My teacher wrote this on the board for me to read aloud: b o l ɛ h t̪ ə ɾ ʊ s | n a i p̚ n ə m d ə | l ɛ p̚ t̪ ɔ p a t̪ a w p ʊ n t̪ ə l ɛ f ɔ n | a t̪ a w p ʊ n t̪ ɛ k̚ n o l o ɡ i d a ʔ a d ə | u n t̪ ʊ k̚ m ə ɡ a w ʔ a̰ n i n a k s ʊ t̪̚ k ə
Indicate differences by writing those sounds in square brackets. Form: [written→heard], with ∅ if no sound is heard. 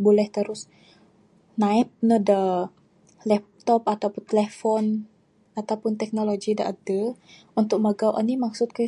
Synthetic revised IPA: b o l ɛ h t̪ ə ɾ ʊ s | n a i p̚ n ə [m→∅] d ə | l ɛ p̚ t̪ ɔ p a t̪ a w p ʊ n t̪ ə l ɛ f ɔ n | a t̪ a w p ʊ n t̪ ɛ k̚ n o l o ɡ i d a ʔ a d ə | u n t̪ ʊ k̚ m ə ɡ a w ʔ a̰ n i [n→m] a k s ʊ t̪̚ k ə

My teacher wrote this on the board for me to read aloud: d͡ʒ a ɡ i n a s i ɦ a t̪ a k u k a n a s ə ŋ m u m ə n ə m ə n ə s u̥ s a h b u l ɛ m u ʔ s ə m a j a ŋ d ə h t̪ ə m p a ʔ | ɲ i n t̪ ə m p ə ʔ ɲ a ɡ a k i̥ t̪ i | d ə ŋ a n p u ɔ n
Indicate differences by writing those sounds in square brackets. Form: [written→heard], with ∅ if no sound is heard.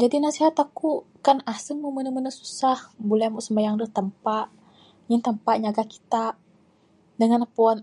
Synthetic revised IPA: d͡ʒ a [ɡ→d] i n a s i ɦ a t̪ a k u k a n a s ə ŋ m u m ə n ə m ə n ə s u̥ s a h b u l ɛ m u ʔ s ə m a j a ŋ d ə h t̪ ə m p a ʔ | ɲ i n t̪ ə m p [ə→a] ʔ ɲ a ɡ a k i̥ t̪ [i→a] | d ə ŋ a n p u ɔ n

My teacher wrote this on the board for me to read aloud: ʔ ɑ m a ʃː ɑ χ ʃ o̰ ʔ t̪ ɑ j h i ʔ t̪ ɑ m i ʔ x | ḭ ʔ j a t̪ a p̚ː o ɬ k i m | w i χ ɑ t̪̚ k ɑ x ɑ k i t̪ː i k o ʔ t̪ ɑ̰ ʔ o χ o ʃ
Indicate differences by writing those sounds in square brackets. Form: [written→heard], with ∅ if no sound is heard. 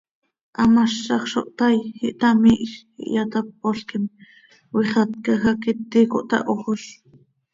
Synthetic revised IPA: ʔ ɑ m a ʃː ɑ χ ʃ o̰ ʔ t̪ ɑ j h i ʔ t̪ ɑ m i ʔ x | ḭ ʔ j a t̪ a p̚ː o ɬ k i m | w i χ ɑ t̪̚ k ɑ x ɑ k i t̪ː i k o ʔ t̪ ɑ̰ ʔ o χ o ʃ

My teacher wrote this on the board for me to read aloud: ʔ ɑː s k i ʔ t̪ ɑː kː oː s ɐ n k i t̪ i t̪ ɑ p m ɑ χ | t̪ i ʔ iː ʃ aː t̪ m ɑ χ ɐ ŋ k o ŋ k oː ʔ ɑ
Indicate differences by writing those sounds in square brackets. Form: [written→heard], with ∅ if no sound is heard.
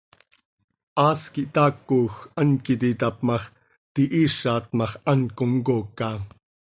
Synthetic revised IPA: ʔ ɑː s k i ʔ t̪ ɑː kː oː [s→x] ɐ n k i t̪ i t̪ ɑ p m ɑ χ | t̪ i ʔ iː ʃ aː t̪ m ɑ χ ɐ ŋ k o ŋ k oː [ʔ→k] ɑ

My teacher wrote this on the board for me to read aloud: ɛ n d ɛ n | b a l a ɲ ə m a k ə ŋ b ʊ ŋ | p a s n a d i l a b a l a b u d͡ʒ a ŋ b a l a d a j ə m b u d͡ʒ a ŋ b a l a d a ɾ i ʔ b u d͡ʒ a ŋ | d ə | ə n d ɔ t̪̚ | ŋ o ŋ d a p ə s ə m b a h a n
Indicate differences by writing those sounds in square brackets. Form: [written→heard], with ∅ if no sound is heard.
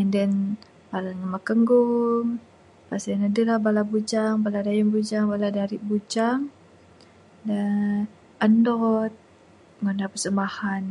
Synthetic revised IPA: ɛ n d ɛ n | b a l a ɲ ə m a k ə ŋ [b→ɡ] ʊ ŋ | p a s n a d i l a b a l a b u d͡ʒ a ŋ b a l a d a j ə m b u d͡ʒ a ŋ b a l a d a ɾ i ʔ b u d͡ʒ a ŋ | d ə | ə n d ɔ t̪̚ | ŋ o [ŋ→n] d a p ə s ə m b a h a n

